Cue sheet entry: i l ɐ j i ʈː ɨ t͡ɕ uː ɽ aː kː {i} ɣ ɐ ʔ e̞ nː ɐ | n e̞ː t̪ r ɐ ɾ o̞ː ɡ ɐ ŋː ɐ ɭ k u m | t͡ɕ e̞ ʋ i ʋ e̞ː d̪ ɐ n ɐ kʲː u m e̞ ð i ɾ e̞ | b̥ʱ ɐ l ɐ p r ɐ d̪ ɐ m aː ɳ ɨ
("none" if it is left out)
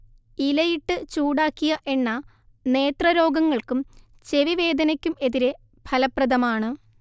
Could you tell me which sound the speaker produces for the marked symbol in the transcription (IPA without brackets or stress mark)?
i